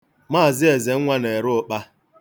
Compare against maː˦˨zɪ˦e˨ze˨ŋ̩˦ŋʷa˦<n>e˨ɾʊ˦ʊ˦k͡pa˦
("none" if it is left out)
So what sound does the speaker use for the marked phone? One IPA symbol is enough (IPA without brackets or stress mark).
n